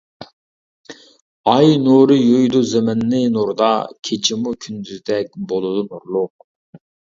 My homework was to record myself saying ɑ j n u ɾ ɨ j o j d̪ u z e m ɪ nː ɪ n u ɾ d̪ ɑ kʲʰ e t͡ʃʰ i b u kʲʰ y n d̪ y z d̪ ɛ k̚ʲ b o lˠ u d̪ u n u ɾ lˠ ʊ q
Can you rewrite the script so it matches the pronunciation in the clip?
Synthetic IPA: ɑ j n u ɾ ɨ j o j d̪ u z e m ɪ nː ɪ n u ɾ d̪ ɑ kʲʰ e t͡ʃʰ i m u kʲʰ y n d̪ y z d̪ ɛ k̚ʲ b o lˠ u d̪ u n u ɾ lˠ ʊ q